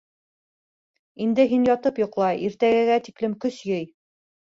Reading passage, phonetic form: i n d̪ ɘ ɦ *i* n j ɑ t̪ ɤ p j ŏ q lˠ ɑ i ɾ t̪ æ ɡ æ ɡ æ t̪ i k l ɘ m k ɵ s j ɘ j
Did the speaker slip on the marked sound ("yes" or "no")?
no